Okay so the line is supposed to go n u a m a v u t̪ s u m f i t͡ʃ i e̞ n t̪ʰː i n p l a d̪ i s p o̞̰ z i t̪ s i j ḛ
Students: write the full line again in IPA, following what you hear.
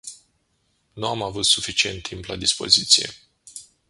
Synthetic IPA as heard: n u a m a v u t̪ s u f i t͡ʃ i e̞ n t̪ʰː i m p l a d̪ i s p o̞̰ z i t̪ s i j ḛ